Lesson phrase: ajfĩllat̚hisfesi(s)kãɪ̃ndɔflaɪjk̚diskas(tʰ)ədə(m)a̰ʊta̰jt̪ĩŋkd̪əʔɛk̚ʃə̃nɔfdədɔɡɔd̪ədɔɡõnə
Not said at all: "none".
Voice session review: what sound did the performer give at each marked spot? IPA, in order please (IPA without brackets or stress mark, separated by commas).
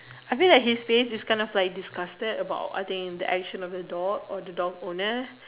s, t, b